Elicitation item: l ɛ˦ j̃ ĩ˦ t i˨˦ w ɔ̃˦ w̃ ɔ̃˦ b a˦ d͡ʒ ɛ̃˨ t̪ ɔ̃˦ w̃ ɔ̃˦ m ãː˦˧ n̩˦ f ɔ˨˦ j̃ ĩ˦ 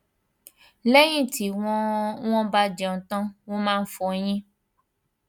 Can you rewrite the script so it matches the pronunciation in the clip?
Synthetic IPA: l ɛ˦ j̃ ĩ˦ t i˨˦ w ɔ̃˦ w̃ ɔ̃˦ b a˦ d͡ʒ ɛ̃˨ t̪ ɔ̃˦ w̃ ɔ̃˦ m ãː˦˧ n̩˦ f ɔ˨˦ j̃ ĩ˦